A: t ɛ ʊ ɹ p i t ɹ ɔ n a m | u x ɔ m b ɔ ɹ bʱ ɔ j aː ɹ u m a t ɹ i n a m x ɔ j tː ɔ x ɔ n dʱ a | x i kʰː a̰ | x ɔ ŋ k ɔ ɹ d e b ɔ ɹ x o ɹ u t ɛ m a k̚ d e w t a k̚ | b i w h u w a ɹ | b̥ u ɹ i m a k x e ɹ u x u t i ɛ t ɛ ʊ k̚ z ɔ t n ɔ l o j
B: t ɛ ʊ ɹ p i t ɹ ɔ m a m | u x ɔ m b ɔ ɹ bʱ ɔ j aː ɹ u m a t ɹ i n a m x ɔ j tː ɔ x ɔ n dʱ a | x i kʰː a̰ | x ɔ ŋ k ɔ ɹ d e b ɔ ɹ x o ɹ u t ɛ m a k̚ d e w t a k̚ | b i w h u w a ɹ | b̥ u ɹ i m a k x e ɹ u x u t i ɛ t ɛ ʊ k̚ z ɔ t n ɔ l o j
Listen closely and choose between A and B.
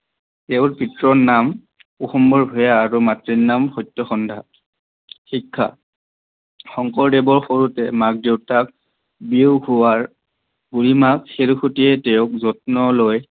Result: A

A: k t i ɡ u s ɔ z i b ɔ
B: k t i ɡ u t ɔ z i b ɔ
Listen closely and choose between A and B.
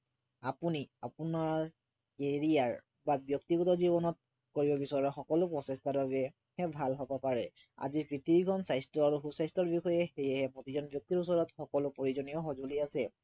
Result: B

